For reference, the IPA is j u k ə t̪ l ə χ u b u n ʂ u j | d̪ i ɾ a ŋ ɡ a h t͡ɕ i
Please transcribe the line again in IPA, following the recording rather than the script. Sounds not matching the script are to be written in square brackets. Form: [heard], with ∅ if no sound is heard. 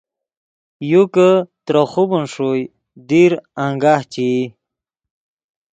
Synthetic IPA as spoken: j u k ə t̪ [ɾ] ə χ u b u n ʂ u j | d̪ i ɾ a ŋ ɡ a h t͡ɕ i